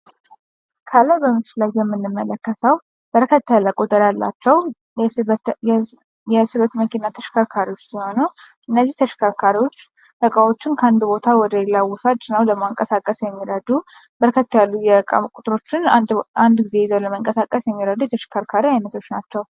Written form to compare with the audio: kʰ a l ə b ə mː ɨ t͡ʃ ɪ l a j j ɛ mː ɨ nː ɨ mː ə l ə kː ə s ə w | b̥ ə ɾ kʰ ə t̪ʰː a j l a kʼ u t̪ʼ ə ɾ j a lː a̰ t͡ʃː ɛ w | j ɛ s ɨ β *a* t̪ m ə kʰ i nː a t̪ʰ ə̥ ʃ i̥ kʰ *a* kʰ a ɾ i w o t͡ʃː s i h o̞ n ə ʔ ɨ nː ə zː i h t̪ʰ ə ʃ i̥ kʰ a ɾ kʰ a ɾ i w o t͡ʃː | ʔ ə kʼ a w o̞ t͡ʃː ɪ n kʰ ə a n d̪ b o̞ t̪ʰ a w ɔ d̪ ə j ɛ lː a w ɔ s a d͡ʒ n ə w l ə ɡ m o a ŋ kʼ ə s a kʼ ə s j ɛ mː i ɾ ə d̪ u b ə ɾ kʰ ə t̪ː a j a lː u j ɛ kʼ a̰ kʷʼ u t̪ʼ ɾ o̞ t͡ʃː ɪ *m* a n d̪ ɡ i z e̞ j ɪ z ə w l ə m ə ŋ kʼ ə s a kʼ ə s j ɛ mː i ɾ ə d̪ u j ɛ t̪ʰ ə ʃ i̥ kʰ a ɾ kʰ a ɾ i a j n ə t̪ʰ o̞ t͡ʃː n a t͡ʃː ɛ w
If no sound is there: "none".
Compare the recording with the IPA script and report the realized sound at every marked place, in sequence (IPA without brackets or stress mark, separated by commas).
ə, a, n